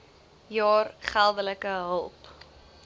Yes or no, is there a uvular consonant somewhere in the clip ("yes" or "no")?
yes